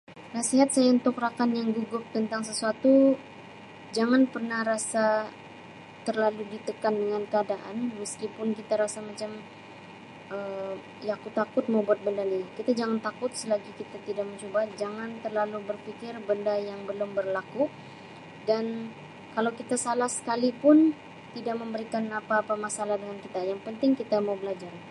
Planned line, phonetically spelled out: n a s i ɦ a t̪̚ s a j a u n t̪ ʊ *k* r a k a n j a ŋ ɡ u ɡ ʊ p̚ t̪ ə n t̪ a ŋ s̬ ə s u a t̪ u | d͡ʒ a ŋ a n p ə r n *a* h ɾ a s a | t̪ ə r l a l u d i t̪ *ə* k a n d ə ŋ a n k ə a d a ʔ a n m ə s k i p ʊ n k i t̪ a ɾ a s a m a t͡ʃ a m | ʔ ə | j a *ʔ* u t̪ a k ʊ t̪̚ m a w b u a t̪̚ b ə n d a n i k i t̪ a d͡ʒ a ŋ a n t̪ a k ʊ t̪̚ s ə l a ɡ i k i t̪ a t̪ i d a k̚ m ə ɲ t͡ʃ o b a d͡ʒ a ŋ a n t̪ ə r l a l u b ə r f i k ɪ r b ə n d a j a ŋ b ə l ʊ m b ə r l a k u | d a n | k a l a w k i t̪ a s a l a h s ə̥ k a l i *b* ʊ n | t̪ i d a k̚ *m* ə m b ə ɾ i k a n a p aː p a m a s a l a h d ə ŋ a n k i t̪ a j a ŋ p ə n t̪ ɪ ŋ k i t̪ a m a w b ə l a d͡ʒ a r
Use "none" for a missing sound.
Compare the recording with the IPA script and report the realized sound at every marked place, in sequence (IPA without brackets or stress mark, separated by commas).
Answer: k, a, ə, k, p, m